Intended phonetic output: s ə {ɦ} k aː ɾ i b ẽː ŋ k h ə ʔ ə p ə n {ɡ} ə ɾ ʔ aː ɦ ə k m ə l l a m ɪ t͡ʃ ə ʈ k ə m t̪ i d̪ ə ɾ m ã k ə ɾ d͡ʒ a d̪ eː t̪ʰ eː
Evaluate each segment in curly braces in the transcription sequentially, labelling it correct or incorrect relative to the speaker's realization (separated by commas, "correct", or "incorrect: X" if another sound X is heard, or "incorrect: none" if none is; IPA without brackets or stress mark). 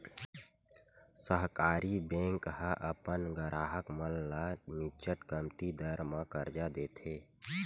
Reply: correct, correct